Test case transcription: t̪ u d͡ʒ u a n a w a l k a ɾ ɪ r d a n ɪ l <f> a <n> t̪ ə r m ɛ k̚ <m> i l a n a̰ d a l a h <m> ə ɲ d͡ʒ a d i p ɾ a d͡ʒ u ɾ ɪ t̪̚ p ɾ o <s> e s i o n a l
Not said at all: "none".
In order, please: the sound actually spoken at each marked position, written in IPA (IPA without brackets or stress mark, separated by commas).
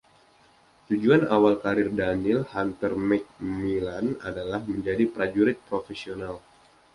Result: h, n, m, m, f